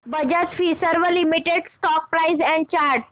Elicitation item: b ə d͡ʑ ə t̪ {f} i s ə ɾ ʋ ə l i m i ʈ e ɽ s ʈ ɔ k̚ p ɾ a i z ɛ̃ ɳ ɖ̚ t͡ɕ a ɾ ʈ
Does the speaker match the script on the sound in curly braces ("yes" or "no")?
yes